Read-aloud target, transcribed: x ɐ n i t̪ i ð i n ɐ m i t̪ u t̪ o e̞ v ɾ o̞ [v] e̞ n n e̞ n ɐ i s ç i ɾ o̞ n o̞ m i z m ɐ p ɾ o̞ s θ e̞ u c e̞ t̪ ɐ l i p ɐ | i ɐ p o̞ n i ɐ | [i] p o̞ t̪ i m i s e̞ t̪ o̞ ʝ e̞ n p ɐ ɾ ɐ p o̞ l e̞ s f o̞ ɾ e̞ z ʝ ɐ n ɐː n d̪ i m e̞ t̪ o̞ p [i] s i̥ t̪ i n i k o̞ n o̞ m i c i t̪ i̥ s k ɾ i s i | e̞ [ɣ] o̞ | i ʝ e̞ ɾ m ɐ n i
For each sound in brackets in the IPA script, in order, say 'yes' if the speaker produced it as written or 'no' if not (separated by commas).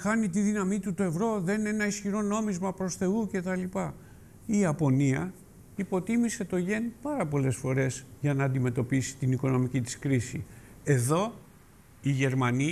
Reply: no, yes, yes, no